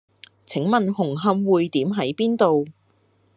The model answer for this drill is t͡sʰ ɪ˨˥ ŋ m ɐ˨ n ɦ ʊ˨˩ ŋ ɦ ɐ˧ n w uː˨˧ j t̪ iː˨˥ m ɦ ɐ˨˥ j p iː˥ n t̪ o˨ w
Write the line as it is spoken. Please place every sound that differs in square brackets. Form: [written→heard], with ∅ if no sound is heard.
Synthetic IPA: t͡sʰ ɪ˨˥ ŋ m ɐ˨ n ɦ ʊ˨˩ ŋ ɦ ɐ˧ [n→m] w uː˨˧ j t̪ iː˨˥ m ɦ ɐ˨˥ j p iː˥ n t̪ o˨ w

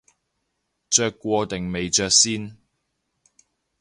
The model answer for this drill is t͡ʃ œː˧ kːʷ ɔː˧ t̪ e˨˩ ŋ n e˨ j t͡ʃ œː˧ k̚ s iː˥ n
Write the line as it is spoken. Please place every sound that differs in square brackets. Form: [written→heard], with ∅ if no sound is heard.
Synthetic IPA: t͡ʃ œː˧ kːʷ ɔː˧ t̪ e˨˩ ŋ [n→m] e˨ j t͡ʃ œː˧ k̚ s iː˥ n

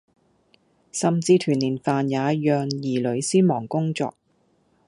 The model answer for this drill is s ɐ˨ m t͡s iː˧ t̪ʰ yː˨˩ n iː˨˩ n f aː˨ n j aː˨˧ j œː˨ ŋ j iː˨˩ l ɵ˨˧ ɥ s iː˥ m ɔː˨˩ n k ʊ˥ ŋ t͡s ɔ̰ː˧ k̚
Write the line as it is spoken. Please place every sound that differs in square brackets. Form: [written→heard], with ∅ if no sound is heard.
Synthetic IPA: s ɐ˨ m t͡s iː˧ t̪ʰ yː˨˩ n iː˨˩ n f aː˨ n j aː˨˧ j œː˨ ŋ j iː˨˩ l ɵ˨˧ ɥ s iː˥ m ɔː˨˩ [n→ŋ] k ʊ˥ ŋ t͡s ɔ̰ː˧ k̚

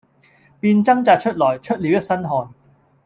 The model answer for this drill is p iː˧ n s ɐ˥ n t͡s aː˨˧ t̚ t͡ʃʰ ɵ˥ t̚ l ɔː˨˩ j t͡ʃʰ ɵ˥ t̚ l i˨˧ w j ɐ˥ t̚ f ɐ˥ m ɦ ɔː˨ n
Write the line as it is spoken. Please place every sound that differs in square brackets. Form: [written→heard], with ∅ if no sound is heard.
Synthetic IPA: p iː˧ n [s→t͡s] ɐ˥ [n→ŋ] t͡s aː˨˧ t̚ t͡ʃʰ ɵ˥ t̚ l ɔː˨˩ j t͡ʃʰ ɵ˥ t̚ l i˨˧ w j ɐ˥ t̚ [f→s] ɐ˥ [m→n] ɦ ɔː˨ n

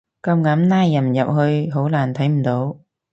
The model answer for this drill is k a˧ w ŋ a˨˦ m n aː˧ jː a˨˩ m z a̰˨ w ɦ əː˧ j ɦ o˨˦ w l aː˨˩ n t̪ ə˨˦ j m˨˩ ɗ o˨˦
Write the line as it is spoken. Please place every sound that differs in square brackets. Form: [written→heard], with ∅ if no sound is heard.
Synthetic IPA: k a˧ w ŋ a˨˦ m n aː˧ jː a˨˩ m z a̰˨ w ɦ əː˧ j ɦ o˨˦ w l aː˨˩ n [t̪→t̪ʰ] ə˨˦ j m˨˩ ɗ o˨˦

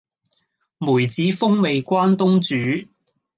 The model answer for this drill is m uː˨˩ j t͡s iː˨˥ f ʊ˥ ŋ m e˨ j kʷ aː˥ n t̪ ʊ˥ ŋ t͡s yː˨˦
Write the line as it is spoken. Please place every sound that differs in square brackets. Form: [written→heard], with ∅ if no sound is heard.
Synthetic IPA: m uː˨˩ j t͡s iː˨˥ f ʊ˥ ŋ m e˨ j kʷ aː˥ n t̪ ʊ˥ ŋ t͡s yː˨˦

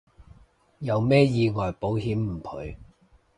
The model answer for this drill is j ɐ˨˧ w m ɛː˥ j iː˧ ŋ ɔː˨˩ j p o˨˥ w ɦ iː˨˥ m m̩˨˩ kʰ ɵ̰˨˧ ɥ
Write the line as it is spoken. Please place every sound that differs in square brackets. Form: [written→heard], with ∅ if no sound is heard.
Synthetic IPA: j ɐ˨˧ w m ɛː˥ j iː˧ ŋ ɔː˨˩ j p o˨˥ w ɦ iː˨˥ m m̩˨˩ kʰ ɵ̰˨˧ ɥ

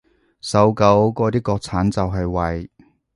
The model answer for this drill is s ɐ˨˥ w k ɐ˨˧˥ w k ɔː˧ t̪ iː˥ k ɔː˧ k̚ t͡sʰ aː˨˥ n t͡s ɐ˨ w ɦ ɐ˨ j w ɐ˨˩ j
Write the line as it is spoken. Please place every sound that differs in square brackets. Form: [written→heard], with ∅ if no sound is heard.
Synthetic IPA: s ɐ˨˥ w k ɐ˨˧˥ w k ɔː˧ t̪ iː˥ k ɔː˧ k̚ t͡sʰ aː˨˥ n t͡s ɐ˨ w ɦ ɐ˨ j w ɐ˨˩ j

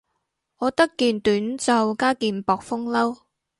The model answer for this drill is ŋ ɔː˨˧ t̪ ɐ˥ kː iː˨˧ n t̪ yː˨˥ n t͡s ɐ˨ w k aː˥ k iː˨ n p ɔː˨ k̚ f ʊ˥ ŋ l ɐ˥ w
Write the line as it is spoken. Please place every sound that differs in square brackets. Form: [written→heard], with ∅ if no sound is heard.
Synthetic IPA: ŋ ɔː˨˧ t̪ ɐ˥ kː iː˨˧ n t̪ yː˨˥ n t͡s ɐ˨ w k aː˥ k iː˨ n p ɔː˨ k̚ f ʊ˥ ŋ l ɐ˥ w

